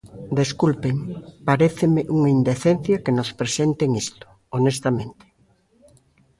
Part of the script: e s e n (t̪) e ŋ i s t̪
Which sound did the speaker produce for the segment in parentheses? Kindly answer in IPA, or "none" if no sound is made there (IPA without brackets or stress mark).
t̪